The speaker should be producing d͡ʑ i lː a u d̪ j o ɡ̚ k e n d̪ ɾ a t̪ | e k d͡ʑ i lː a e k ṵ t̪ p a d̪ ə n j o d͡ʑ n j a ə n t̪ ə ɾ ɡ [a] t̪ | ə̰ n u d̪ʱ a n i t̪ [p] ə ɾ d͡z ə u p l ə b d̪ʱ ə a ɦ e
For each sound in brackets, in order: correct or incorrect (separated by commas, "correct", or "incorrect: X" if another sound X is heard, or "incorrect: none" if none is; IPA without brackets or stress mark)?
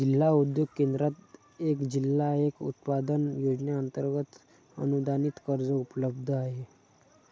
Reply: incorrect: ə, incorrect: k